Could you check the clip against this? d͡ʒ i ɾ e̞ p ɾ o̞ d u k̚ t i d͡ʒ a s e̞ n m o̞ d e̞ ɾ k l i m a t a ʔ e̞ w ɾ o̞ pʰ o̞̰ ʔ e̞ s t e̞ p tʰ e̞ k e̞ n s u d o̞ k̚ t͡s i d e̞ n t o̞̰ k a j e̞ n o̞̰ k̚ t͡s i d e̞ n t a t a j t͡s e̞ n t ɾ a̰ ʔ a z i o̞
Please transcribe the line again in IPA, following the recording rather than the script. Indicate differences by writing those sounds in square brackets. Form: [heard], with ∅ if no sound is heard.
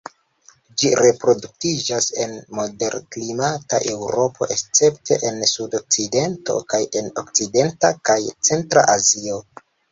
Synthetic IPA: d͡ʒ i ɾ e̞ p ɾ o̞ d u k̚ t i d͡ʒ a s e̞ n m o̞ d e̞ ɾ k l i m a t a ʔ e̞ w ɾ o̞ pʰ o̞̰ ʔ e̞ s [t͡s] e̞ p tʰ e̞ [ʔ] e̞ n s u d o̞ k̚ t͡s i d e̞ n t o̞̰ k a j e̞ n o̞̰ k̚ t͡s i d e̞ n t a [k] a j t͡s e̞ n t ɾ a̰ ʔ a z i o̞